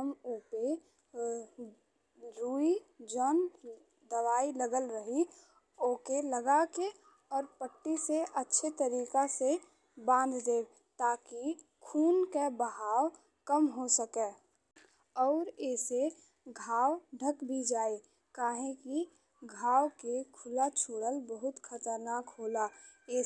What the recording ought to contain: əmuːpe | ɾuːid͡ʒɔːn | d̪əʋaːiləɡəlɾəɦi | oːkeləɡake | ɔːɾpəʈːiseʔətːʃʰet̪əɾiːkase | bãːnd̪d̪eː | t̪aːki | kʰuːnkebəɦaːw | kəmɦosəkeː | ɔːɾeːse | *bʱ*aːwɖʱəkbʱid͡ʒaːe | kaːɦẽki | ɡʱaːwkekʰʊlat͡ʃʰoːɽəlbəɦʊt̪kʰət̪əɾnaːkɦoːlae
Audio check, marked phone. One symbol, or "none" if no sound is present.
ɡʱ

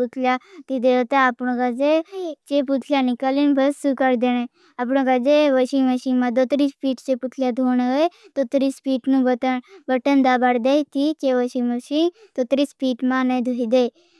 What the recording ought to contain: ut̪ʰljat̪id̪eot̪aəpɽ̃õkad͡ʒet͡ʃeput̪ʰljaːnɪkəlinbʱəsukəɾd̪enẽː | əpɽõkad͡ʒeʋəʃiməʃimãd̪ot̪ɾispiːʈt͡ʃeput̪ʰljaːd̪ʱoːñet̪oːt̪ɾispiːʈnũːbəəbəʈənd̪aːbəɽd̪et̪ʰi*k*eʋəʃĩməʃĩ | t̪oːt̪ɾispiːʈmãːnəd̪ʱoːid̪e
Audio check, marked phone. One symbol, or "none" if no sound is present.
k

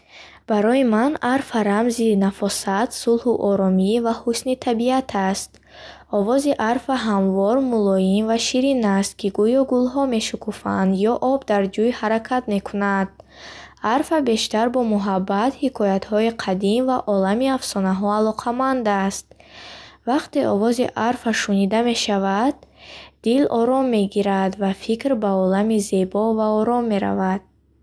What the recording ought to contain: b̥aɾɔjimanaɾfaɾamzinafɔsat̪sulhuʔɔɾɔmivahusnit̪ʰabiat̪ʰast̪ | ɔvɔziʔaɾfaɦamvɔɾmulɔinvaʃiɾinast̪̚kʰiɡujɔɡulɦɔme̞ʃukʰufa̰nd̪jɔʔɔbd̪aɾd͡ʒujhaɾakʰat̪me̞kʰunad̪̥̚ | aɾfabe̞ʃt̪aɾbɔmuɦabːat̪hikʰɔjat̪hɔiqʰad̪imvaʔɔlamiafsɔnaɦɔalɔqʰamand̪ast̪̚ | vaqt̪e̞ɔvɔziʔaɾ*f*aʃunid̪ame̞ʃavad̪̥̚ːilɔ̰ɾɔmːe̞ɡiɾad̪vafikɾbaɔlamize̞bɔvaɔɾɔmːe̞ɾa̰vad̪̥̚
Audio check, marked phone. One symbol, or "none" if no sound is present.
f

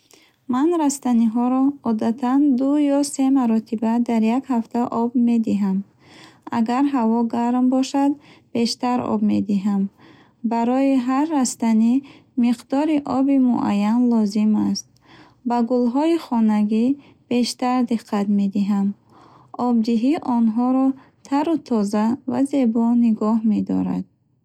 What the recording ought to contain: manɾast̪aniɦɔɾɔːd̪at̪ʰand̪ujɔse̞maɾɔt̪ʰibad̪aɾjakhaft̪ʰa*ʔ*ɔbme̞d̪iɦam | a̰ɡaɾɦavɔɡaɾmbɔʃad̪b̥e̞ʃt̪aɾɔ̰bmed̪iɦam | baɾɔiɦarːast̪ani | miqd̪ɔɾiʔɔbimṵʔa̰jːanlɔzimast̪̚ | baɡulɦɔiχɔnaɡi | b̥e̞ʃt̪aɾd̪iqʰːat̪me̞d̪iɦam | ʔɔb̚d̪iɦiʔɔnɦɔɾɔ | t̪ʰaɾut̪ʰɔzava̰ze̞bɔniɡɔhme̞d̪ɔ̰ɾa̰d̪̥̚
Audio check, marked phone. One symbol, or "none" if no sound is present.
ʔ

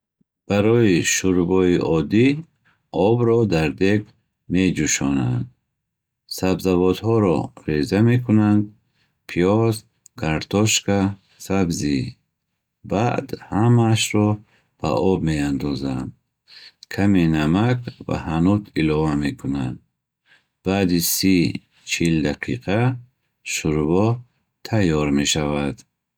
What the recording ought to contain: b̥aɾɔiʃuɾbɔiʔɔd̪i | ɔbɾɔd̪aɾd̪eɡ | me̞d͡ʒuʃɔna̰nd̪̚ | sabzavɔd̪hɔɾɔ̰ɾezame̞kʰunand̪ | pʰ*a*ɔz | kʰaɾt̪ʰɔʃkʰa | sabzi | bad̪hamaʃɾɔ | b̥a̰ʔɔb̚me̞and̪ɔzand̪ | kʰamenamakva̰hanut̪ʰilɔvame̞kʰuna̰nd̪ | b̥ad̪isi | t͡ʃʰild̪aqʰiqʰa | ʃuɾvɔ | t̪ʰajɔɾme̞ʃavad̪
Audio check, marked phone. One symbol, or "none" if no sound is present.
i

